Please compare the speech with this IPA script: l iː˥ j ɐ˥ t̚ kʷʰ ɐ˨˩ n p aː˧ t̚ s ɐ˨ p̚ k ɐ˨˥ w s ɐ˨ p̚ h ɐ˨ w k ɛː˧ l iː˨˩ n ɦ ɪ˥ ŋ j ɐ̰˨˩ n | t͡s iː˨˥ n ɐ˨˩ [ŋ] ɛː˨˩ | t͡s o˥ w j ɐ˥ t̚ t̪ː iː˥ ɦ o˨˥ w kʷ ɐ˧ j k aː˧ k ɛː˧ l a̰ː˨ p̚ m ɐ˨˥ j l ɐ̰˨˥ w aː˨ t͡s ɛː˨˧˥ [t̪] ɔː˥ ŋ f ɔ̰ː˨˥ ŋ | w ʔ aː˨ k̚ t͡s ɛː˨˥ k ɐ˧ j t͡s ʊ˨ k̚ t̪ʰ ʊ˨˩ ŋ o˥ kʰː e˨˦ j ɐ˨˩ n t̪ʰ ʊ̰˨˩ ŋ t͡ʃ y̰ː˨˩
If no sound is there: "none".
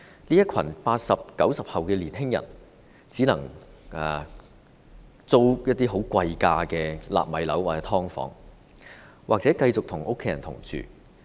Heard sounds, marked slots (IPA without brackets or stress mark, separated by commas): ŋ, t̪ʰ